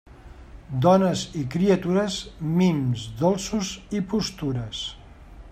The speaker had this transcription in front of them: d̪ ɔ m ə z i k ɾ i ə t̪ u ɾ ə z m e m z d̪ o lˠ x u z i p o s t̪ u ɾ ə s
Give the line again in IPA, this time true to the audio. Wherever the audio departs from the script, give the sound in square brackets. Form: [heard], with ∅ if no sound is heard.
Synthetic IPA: d̪ ɔ [n] ə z i k ɾ i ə t̪ u ɾ ə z m [i] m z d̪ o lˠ [s] u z i p [u] s t̪ u ɾ ə s